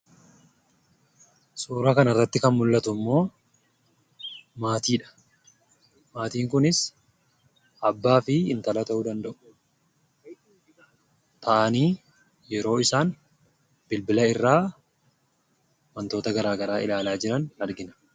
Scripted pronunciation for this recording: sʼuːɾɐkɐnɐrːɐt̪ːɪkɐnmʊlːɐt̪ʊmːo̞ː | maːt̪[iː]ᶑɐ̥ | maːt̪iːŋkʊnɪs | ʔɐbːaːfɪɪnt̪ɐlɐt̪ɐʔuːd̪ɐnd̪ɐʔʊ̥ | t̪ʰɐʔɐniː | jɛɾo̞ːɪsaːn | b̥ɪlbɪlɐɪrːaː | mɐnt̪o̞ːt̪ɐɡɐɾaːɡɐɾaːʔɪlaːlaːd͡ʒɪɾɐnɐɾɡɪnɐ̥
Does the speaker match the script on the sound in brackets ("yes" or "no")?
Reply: yes